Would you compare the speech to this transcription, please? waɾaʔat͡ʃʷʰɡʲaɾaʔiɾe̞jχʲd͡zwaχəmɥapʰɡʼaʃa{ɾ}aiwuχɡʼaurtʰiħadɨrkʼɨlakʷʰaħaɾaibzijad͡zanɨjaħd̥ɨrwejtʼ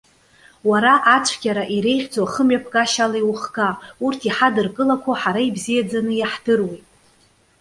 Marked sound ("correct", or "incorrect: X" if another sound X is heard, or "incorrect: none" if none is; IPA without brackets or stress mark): incorrect: l